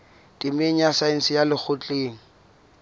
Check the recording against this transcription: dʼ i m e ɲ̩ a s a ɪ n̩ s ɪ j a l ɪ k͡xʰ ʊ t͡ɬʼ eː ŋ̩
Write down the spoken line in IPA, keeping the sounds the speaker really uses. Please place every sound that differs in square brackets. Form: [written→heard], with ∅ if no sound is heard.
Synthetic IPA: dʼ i m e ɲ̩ a s a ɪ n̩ s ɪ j a l ɪ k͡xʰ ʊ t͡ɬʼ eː ŋ̩